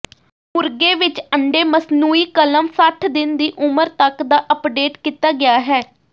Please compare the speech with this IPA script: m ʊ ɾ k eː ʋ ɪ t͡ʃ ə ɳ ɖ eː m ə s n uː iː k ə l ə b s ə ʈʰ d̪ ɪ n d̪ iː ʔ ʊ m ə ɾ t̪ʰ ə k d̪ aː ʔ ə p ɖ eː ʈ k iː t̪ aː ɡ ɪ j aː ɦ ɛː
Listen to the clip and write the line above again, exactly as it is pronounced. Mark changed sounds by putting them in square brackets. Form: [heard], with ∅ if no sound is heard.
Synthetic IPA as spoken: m ʊ ɾ [ɡ] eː ʋ ɪ t͡ʃ ə ɳ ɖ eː m ə s n uː iː k ə l ə [m] s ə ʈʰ d̪ ɪ n d̪ iː ʔ ʊ m ə ɾ [t̪] ə k d̪ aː ʔ ə p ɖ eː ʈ k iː t̪ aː ɡ ɪ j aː ɦ ɛː

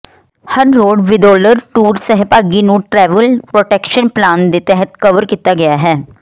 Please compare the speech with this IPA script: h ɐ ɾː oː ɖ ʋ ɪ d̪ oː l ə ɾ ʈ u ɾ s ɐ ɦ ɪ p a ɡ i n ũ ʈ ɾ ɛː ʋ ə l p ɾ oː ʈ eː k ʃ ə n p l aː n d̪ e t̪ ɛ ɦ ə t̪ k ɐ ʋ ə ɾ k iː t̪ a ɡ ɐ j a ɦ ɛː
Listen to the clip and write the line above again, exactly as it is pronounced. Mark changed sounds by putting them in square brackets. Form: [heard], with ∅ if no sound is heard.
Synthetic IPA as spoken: h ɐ ɾː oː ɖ ʋ ɪ d̪ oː l ə ɾ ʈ [uː] ɾ s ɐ ɦ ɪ p a ɡ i n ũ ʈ ɾ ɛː ʋ ə l p ɾ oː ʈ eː k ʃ ə n p l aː n d̪ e t̪ ɛ ɦ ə t̪ k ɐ ʋ ə ɾ k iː t̪ a ɡ ɐ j a ɦ ɛː

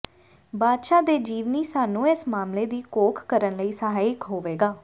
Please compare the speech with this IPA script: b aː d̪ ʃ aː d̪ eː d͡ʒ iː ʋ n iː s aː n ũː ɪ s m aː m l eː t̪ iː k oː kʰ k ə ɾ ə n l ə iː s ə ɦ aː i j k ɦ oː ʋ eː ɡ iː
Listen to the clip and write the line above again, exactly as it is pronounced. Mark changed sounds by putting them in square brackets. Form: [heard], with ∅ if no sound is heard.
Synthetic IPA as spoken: b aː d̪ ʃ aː d̪ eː d͡ʒ iː ʋ n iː s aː n ũː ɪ s m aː m l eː [d̪] iː k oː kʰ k ə ɾ ə n l ə iː s ə ɦ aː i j k ɦ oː ʋ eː ɡ [aː]

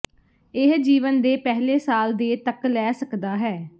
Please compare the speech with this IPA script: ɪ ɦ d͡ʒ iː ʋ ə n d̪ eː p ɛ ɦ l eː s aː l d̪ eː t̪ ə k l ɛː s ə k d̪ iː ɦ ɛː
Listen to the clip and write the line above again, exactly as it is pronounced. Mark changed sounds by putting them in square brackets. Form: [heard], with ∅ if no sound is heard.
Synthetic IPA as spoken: ɪ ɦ d͡ʒ iː ʋ ə n d̪ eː p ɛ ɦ l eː s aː l d̪ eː t̪ ə k l ɛː s ə k d̪ [aː] ɦ ɛː

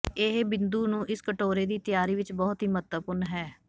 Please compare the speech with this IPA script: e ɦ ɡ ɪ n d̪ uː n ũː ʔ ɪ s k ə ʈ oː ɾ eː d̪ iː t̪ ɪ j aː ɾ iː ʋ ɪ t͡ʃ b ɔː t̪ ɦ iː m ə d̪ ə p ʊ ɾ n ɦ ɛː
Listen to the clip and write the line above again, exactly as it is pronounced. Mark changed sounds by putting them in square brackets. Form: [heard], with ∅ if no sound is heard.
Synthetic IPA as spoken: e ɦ [b] ɪ n d̪ uː n ũː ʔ ɪ s k ə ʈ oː ɾ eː d̪ iː t̪ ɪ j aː ɾ iː ʋ ɪ t͡ʃ b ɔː t̪ ɦ iː m ə [t̪] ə p ʊ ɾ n ɦ ɛː

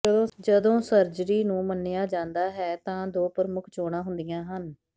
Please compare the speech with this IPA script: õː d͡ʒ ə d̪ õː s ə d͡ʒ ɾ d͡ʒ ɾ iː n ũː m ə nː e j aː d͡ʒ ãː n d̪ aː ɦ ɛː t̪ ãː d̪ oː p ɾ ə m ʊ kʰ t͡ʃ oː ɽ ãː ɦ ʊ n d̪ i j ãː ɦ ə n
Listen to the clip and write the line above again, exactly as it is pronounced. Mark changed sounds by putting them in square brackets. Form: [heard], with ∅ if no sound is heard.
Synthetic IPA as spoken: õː d͡ʒ ə d̪ õː s ə [∅] ɾ d͡ʒ ɾ iː n ũː m ə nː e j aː d͡ʒ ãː n d̪ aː ɦ ɛː t̪ ãː d̪ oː p ɾ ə m ʊ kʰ t͡ʃ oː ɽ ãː ɦ ʊ n d̪ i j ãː ɦ ə n

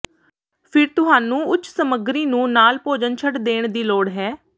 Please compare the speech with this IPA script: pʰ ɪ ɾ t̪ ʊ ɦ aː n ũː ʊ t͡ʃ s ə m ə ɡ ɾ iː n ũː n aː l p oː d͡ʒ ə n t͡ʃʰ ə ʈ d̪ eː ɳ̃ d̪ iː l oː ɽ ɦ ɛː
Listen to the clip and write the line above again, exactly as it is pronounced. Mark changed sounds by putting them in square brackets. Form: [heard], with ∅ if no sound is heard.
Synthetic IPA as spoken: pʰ ɪ ɾ t̪ ʊ ɦ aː n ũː ʊ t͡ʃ s ə m ə ɡ ɾ iː n ũː n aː l p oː d͡ʒ ə n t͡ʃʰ ə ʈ d̪ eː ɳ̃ d̪ iː l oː ɽ ɦ ɛː

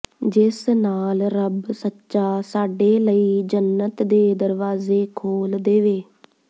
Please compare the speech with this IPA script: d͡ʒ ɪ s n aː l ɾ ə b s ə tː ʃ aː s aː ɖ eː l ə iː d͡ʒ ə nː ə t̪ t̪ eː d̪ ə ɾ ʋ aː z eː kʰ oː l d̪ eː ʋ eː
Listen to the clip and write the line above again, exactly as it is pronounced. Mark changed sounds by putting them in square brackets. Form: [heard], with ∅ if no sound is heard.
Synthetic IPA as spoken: d͡ʒ ɪ s n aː l ɾ ə b s ə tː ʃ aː s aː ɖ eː l ə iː d͡ʒ ə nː ə t̪ [d̪] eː d̪ ə ɾ ʋ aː z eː kʰ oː l d̪ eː ʋ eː

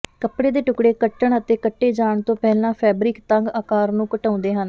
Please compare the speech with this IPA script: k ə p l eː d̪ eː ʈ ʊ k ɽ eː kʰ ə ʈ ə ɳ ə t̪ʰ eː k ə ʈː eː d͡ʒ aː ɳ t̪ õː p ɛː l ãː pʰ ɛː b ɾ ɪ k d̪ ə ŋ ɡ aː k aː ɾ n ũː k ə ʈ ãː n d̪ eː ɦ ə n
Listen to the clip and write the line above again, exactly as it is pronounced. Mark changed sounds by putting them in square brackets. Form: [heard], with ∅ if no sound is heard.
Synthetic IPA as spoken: k ə p [ɽ] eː d̪ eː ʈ ʊ k ɽ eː [k] ə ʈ ə ɳ ə [t̪] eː k ə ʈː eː d͡ʒ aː ɳ t̪ õː p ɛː l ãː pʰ ɛː b ɾ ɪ k [t̪] ə ŋ ɡ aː k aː ɾ n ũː k ə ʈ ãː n d̪ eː ɦ ə n

